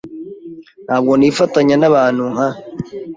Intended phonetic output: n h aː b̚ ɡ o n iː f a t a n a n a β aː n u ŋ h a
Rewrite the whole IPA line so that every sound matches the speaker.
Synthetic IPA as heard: n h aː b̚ ɡ o n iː f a t a ɲ a n a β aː n u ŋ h a